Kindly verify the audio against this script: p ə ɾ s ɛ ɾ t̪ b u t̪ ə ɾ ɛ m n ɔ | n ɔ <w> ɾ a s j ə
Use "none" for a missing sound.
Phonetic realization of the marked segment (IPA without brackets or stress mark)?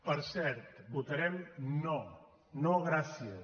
ɣ